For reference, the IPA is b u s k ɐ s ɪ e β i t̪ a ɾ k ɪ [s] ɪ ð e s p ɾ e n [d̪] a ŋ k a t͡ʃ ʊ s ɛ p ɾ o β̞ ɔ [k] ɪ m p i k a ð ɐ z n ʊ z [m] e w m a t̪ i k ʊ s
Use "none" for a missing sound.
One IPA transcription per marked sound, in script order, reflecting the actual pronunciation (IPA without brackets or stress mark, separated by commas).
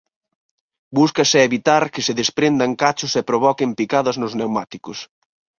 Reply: s, d̪, k, n